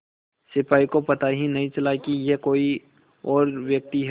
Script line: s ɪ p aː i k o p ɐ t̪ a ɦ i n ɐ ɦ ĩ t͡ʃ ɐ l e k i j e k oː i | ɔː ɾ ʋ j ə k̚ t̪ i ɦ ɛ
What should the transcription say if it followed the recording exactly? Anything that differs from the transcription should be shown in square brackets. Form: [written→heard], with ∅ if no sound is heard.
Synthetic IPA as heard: s ɪ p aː i k o p ɐ t̪ a ɦ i n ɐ ɦ ĩ t͡ʃ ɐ l [e→a] k i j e k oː i | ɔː ɾ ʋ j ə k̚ t̪ i ɦ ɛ